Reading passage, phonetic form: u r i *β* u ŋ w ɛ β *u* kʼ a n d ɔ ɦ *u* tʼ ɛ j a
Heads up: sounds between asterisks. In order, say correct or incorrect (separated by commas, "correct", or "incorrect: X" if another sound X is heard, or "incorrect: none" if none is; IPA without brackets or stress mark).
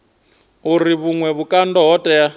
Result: correct, correct, incorrect: ɔ